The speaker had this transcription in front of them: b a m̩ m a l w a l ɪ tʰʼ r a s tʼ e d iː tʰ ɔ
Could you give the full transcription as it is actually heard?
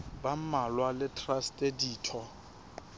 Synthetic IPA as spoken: b a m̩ m a l w a l ɪ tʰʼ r a s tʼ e d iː tʰ ɔ